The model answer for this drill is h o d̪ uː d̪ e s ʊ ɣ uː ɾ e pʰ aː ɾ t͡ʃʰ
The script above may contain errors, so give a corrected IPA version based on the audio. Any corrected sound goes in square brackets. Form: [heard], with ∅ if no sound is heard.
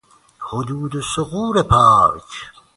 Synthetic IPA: h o d̪ uː d̪ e s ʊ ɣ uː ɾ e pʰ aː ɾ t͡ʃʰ